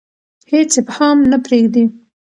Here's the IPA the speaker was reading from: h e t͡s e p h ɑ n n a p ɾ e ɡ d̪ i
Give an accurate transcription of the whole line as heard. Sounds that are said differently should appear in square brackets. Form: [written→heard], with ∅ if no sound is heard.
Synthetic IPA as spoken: h e t͡s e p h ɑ [n→m] n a p ɾ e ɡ d̪ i